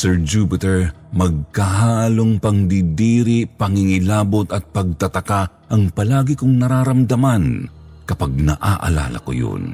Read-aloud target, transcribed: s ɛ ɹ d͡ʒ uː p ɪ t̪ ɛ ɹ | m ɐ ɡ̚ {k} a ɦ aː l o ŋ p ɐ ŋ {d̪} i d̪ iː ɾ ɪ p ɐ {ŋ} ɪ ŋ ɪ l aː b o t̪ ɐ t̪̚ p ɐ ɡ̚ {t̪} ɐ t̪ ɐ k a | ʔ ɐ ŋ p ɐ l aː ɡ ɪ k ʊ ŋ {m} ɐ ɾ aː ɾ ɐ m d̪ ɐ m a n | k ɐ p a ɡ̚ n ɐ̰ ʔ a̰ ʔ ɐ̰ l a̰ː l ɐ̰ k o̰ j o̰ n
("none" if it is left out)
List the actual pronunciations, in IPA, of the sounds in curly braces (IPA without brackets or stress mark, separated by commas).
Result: k, d̪, ŋ, t̪, n